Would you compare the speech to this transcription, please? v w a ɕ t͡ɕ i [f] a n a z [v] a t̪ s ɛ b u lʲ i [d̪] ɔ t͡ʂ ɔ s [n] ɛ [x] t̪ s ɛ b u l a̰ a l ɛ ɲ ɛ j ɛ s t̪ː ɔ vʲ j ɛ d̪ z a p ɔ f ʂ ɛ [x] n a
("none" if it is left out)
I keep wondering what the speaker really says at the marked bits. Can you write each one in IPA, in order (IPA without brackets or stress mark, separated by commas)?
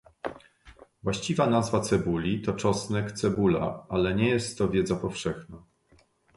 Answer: v, v, t̪, n, k, x